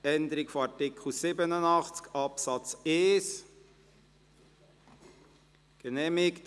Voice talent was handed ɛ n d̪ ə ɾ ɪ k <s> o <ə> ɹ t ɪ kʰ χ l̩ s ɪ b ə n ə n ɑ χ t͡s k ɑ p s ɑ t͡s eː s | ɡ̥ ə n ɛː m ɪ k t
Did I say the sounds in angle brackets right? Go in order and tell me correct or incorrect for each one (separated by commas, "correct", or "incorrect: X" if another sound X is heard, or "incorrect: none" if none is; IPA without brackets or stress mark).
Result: incorrect: f, incorrect: ɑ